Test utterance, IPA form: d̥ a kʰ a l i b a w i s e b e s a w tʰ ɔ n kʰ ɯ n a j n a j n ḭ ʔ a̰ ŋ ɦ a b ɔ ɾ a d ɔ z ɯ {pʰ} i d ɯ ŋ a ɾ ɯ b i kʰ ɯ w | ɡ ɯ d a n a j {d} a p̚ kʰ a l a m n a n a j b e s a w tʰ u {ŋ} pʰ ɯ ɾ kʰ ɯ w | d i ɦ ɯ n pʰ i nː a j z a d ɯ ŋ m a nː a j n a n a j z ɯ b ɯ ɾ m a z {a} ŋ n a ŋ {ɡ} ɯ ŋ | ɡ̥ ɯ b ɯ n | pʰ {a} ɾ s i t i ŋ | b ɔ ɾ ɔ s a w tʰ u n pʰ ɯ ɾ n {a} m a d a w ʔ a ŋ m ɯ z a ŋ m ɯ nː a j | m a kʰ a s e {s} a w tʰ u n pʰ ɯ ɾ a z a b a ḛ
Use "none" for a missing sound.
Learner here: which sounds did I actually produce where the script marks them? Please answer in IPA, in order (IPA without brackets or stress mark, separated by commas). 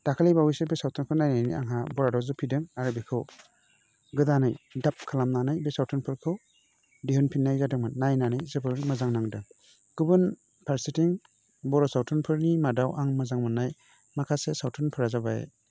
pʰ, d, n, a, d, a, i, s